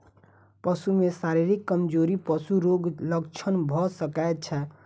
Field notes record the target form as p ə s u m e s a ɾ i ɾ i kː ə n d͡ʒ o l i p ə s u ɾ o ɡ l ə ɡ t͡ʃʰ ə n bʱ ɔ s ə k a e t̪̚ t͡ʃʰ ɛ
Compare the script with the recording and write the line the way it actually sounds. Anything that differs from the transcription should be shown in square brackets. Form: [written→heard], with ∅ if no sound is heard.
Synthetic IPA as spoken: p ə s u m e s a ɾ i ɾ i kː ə [n→m] d͡ʒ o [l→ɾ] i p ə s u ɾ o ɡ l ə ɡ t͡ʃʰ ə n bʱ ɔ s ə k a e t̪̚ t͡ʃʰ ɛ